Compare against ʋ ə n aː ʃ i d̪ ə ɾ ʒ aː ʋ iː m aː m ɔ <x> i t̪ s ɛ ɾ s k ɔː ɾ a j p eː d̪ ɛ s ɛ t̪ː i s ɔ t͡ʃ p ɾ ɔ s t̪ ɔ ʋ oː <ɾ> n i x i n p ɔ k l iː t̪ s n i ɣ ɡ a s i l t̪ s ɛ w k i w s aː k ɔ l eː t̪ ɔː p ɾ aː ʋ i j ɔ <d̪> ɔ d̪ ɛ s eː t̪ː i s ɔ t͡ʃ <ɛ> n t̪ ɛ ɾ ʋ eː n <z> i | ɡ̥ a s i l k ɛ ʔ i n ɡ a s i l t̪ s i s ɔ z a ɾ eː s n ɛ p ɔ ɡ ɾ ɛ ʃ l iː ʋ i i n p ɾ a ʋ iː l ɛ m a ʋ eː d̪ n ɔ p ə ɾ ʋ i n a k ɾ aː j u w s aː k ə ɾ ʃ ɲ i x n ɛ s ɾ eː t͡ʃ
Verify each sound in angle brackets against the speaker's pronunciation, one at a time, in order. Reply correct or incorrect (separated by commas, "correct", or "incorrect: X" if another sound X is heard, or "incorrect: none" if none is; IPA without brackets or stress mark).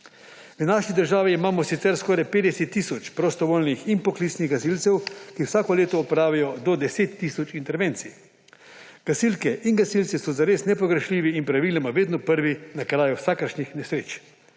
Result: incorrect: s, incorrect: l, correct, incorrect: i, incorrect: s